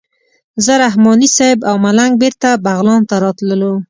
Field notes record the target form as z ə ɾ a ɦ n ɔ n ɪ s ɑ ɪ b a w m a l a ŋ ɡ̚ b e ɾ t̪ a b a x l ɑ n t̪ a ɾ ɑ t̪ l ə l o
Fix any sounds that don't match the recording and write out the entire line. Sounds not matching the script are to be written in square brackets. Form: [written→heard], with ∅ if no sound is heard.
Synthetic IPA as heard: z ə ɾ a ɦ [n→m] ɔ n [ɪ→i] s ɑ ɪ b a w m a l a ŋ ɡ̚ b e ɾ t̪ a b a [x→ɣ] l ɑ n t̪ a ɾ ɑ t̪ l ə l o